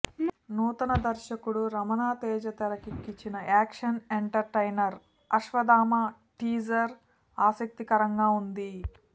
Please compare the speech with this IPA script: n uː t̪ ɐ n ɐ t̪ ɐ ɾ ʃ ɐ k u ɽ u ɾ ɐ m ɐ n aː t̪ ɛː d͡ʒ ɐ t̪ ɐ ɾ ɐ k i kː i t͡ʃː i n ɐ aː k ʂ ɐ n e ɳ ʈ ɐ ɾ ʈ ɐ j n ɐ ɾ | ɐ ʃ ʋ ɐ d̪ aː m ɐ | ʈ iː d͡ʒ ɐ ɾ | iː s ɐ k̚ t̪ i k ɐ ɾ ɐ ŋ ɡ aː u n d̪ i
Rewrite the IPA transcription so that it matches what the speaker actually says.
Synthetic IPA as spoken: n uː t̪ ɐ n ɐ d̪ ɐ ɾ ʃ ɐ k u ɽ u ɾ ɐ m ɐ n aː t̪ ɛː d͡ʒ ɐ t̪ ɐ ɾ ɐ k i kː i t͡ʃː i n ɐ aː k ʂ ɐ n e ɳ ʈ ɐ ɾ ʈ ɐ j n ɐ ɾ | ɐ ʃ ʋ ɐ d̪ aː m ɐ | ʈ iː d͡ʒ ɐ ɾ | aː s ɐ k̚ t̪ i k ɐ ɾ ɐ ŋ ɡ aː u n d̪ i